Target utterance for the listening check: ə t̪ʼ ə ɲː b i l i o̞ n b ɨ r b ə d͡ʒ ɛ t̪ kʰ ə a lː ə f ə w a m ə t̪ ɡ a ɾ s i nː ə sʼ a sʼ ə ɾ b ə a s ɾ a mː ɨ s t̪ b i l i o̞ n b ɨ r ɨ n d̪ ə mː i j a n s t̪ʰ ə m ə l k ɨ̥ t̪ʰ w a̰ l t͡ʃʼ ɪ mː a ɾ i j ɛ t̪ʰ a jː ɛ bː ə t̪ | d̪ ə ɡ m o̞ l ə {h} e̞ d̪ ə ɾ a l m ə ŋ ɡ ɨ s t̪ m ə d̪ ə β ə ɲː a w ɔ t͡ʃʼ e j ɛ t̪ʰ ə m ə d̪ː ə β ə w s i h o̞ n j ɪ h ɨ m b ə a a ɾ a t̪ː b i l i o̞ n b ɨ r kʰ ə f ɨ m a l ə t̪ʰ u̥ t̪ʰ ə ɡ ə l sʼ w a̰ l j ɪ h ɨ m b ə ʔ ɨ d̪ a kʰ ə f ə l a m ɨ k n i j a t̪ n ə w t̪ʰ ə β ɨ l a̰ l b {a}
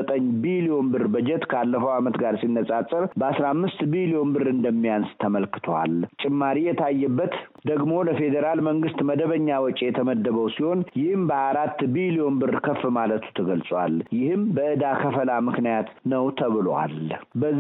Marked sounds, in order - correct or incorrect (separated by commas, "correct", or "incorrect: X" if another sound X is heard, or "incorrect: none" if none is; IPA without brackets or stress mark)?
incorrect: f, incorrect: ə